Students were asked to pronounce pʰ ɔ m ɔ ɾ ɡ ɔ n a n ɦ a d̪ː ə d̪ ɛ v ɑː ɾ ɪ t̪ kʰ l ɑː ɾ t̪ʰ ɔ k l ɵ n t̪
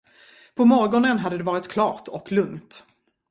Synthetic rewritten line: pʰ ɔ m ɔ ɾ ɡ ɔ n ə n ɦ a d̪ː ə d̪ ɛ v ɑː ɾ ɪ t̪ kʰ l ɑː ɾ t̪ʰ ɔ k l ɵ ŋ t̪